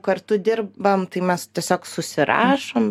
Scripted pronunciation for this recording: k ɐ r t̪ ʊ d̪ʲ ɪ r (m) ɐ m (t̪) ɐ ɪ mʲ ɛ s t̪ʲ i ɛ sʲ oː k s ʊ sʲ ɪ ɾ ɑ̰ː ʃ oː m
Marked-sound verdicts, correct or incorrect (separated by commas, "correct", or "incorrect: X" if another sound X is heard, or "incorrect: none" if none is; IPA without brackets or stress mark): incorrect: b, correct